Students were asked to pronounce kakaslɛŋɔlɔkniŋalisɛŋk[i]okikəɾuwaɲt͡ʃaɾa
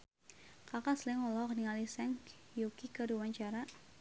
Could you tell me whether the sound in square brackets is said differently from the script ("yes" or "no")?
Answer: yes